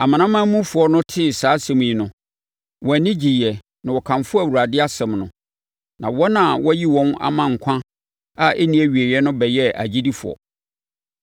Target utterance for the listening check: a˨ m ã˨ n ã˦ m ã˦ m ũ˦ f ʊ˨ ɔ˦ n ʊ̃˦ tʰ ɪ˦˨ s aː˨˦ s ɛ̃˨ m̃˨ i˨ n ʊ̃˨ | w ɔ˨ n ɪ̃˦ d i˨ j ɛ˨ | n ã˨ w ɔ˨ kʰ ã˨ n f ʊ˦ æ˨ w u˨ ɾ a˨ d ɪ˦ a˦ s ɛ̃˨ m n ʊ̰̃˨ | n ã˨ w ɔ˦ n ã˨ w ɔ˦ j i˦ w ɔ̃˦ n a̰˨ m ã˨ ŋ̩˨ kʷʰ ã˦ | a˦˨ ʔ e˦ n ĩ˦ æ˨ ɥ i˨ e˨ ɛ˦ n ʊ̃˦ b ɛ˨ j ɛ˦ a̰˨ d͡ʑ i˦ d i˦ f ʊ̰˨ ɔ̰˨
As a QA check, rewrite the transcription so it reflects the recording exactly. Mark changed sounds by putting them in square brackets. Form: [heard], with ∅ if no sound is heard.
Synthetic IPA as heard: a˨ m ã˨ n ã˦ m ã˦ m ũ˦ f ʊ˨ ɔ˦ n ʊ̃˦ tʰ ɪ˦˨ s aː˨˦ s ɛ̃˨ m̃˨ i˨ n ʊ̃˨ | w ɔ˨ n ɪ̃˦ [d͡ʑ] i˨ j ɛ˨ | n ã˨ w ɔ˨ kʰ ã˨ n f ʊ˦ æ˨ w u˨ ɾ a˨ d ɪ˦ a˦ s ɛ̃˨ m n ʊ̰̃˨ | n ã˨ w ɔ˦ n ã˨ w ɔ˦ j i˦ w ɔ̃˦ n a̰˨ m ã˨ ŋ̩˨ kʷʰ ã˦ | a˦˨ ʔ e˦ n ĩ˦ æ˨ ɥ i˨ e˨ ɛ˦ n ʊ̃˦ b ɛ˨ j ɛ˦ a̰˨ d͡ʑ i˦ d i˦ f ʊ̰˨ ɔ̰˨